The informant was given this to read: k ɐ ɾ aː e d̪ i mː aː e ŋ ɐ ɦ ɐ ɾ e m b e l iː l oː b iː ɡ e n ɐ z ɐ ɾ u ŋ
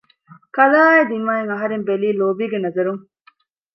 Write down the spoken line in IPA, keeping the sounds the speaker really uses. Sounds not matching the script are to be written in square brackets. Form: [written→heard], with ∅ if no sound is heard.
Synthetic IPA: k ɐ [ɾ→l] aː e d̪ i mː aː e ŋ ɐ ɦ ɐ ɾ e m b e l iː l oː b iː ɡ e n ɐ z ɐ ɾ u ŋ